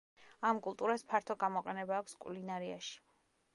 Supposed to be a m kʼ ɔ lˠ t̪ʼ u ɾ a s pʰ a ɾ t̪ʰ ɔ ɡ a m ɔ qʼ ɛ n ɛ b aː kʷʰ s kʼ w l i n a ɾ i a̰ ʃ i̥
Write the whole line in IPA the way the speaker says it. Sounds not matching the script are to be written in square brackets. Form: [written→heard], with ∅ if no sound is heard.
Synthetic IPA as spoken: a m kʼ [ɔ→u] lˠ t̪ʼ u ɾ a s pʰ a ɾ t̪ʰ ɔ ɡ a m ɔ qʼ ɛ n ɛ b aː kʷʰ s kʼ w l i n a ɾ i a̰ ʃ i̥